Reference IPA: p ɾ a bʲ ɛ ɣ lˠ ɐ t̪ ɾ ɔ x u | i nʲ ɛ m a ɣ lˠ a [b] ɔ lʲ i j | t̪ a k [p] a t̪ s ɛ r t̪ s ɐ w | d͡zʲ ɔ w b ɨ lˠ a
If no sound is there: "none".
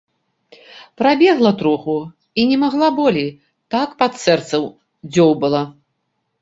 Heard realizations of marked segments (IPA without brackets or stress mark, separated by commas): b, p